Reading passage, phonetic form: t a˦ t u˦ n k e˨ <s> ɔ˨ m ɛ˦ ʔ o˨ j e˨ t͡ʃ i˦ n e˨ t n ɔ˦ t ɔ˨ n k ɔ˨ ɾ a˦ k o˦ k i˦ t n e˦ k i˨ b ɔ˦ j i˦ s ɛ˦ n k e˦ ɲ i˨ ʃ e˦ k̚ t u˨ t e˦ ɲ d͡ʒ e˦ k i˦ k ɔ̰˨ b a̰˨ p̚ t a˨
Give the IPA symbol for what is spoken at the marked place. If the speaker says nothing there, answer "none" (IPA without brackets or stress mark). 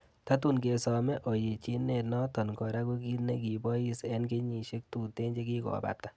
s